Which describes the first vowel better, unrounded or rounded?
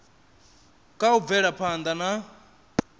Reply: unrounded